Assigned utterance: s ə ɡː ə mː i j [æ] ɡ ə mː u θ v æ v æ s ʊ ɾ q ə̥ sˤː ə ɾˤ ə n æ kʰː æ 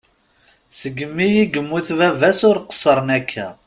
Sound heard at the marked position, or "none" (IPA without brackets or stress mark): i